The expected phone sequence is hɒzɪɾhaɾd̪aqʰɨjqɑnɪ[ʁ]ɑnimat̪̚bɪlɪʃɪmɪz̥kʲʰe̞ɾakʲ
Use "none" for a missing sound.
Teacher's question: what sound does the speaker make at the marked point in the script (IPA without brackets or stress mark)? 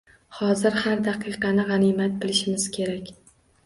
ʁ